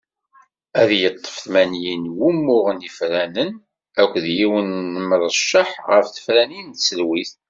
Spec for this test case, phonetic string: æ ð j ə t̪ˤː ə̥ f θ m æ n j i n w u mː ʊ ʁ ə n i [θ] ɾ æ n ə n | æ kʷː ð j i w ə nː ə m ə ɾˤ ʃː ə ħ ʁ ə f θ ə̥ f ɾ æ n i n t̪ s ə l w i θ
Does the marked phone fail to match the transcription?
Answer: yes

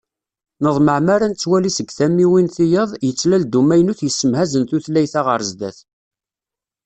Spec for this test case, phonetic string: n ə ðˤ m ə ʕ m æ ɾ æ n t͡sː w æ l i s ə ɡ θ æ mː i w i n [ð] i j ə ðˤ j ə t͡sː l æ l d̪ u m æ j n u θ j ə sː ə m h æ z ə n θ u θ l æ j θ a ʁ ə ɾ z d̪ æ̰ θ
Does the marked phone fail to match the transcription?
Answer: yes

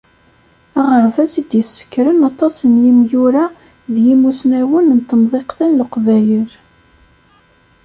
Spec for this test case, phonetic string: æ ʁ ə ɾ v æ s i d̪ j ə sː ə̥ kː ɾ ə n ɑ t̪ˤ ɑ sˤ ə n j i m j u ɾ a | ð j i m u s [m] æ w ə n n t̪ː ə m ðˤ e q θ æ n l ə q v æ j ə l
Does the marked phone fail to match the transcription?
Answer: yes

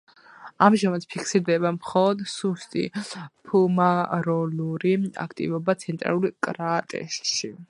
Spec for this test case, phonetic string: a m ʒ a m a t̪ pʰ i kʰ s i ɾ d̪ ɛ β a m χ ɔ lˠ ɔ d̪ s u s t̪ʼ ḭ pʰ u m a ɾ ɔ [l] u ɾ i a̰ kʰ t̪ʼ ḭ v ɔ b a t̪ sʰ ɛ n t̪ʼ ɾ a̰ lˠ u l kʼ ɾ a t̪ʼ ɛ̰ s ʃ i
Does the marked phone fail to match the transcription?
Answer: no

